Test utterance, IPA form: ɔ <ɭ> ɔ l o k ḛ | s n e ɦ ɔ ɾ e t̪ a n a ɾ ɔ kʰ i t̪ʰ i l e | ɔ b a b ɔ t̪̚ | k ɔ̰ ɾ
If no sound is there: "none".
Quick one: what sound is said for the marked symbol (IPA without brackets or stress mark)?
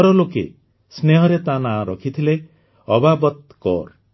ɾ